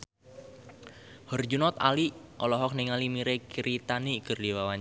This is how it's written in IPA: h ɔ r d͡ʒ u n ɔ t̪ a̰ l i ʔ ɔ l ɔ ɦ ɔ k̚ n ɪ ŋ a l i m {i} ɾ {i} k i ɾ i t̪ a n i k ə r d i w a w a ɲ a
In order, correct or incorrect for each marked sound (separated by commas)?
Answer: correct, incorrect